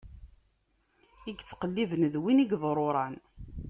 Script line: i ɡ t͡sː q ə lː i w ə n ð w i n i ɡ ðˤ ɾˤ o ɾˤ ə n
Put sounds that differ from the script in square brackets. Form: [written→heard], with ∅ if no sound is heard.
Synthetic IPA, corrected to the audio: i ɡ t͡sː q ə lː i [w→v] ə n ð w i n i ɡ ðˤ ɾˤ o ɾˤ [ə→ɑ] n

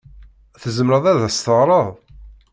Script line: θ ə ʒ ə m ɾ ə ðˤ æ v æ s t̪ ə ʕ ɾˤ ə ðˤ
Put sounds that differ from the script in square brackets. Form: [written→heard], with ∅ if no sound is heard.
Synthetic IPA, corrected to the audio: θ ə [ʒ→z] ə m ɾ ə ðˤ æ [v→ð] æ s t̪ ə [ʕ→ʁ] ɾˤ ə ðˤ

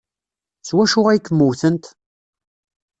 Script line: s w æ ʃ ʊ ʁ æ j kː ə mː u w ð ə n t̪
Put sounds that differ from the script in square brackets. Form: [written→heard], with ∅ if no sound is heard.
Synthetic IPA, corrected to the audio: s w æ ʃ ʊ ʁ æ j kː ə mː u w [ð→θ] ə n t̪

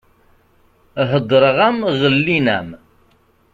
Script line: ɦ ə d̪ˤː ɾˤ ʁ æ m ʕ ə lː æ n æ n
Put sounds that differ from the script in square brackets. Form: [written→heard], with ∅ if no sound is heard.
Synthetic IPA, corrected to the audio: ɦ ə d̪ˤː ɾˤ ʁ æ m [ʕ→ʁ] ə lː [æ→i] n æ [n→m]

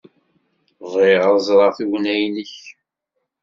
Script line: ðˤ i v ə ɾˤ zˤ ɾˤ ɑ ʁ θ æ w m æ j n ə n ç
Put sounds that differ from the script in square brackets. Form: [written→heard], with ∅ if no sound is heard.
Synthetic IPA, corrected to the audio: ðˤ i [v→ʁ] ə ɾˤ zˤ ɾˤ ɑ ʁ θ [æ→i] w [m→n] æ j n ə [n→∅] ç

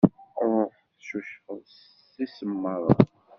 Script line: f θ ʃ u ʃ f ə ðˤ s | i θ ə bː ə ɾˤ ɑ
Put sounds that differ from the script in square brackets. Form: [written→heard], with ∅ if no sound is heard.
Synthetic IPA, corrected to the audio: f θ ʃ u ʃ f ə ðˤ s | i [θ→s] ə [bː→mː] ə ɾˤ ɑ

